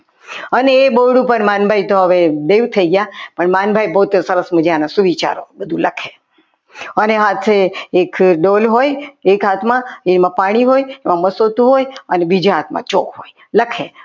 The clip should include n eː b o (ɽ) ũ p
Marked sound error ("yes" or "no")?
no